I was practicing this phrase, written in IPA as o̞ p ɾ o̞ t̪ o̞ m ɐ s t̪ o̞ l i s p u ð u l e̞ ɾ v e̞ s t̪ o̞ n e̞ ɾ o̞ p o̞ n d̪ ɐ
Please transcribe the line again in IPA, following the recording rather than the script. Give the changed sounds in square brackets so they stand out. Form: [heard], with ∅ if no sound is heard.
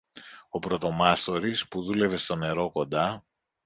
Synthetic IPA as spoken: o̞ p ɾ o̞ t̪ o̞ m ɐ s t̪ o̞ [ɾ] i s p u ð u l e̞ [∅] v e̞ s t̪ o̞ n e̞ ɾ o̞ [k] o̞ n d̪ ɐ